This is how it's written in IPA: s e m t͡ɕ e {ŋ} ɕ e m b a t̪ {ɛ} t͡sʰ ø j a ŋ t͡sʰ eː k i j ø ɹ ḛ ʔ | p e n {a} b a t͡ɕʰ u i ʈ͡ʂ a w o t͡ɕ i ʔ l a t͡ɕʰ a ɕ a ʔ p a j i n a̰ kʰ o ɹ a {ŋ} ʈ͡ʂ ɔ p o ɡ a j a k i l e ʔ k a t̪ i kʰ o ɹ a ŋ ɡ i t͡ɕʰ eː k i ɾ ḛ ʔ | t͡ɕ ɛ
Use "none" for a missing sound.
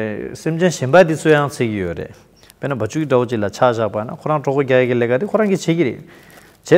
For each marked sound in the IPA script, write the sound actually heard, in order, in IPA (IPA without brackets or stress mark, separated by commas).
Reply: n, i, a, ŋ